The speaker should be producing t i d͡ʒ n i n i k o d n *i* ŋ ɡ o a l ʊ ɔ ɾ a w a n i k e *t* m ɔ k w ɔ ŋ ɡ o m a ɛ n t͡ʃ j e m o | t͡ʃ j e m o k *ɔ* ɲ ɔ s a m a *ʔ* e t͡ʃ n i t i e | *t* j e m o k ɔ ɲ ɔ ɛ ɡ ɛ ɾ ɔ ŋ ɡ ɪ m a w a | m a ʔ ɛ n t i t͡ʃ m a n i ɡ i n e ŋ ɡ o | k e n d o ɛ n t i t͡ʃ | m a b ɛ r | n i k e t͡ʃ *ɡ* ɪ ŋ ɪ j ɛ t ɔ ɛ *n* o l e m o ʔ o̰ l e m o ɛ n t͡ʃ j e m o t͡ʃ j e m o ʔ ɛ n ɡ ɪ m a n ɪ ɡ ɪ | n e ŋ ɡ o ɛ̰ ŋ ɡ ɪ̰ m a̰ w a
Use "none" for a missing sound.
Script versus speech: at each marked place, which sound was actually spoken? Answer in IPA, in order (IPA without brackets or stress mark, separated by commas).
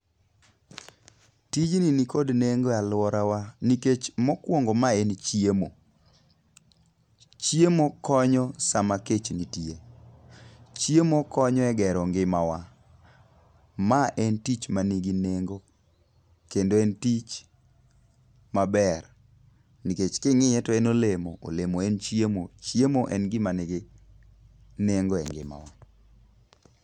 e, t͡ʃ, ɔ, k, t͡ʃ, k, n